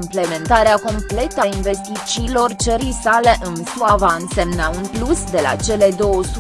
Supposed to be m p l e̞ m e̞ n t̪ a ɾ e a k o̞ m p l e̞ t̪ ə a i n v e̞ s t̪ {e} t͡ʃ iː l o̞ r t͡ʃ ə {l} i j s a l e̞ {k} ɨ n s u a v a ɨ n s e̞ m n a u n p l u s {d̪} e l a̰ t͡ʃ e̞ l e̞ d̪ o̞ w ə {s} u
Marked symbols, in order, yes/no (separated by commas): no, no, no, yes, yes